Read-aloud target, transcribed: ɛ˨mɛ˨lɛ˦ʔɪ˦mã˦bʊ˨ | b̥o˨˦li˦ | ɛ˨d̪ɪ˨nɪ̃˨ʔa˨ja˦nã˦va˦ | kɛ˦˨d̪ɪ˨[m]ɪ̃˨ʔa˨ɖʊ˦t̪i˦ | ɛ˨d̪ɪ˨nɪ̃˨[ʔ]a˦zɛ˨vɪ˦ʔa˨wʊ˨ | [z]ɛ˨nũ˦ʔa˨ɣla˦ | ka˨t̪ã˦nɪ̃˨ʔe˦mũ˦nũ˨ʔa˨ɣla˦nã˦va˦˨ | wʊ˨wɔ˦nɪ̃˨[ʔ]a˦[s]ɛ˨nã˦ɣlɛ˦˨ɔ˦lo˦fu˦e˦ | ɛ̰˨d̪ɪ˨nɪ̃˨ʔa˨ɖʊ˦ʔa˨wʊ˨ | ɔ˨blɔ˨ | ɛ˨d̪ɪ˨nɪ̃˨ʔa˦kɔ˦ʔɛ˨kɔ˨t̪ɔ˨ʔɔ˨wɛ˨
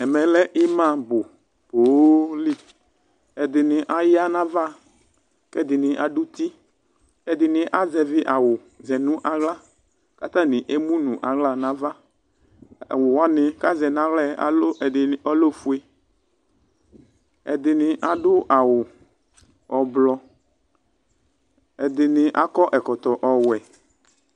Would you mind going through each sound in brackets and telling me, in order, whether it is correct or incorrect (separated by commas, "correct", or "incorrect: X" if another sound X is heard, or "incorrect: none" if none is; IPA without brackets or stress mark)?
incorrect: n, correct, correct, incorrect: k, incorrect: z